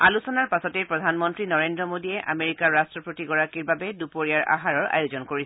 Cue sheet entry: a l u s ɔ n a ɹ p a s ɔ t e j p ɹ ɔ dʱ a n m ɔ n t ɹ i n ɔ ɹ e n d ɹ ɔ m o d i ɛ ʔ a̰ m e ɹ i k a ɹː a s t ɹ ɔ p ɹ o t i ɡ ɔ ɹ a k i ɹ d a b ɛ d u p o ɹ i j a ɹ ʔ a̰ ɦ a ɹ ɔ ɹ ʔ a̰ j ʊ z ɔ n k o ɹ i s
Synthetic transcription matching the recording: a l u s ɔ n a ɹ p a s ɔ t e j p ɹ ɔ dʱ a n m ɔ n t ɹ i n ɔ ɹ e n d ɹ ɔ m o d i ɛ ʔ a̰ m e ɹ i k a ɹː a s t ɹ ɔ p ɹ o t i ɡ ɔ ɹ a k i ɹ b a b ɛ d u p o ɹ i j a ɹ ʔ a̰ ɦ a ɹ ɔ ɹ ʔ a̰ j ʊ z ɔ n k o ɹ i s